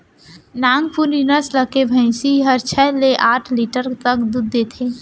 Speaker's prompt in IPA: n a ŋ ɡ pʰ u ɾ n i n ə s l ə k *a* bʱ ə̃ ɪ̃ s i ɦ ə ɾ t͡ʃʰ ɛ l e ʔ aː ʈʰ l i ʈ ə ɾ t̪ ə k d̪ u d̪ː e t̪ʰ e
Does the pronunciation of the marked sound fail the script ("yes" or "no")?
yes